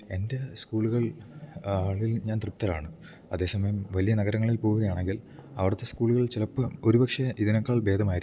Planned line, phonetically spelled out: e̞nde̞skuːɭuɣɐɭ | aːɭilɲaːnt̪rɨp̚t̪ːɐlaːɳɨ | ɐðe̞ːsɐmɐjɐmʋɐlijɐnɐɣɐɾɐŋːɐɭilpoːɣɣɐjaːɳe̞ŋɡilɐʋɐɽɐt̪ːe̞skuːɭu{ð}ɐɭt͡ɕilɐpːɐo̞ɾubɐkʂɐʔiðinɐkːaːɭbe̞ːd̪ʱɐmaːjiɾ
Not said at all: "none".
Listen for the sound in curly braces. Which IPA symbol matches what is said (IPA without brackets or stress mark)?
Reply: ɣ